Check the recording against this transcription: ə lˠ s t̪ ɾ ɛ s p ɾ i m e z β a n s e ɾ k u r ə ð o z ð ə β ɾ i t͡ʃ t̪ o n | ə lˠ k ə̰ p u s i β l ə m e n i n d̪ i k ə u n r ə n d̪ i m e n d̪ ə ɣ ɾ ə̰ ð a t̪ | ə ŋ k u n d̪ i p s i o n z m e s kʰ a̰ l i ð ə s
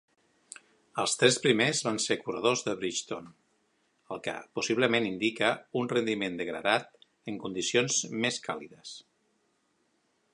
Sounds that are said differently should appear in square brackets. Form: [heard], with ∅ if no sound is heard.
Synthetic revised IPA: ə lˠ s t̪ ɾ ɛ s p ɾ i m e z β a n s e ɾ k u r ə ð o z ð ə β ɾ i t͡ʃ t̪ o n | ə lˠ k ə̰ p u s i β l ə m e n i n d̪ i k ə u n r ə n d̪ i m e n d̪ ə ɣ ɾ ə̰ ð a t̪ | ə ŋ k u n d̪ i [∅] s i o n z m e s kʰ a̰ l i ð ə s